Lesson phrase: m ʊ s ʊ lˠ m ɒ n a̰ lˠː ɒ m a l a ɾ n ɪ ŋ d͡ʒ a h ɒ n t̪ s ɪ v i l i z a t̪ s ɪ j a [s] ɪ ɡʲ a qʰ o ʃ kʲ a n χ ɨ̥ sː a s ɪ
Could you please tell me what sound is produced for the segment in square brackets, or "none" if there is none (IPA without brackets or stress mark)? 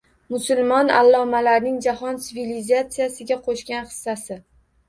s